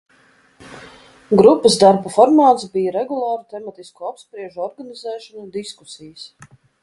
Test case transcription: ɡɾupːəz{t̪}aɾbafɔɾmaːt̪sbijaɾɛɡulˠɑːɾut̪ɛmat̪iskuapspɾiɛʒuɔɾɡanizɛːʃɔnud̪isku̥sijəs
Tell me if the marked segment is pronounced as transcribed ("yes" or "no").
no